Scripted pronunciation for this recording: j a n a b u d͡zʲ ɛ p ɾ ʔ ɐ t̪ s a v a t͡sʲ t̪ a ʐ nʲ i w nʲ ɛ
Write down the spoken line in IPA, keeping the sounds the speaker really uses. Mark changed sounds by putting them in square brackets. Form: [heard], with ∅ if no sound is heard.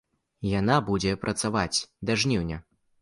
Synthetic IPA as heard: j a n a b u d͡zʲ ɛ p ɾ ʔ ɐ t̪ s a v a t͡sʲ [d̪] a ʐ nʲ i w nʲ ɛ